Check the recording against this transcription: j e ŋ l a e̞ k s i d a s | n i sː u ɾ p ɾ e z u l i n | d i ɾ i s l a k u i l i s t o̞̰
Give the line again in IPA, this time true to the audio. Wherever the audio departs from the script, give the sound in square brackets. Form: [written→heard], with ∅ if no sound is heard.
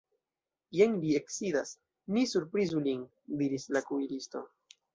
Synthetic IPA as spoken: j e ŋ l [a→i] e̞ k s i d a s | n i [sː→s] u ɾ p ɾ [e→i] z u l i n | d i ɾ i s l a k u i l i s t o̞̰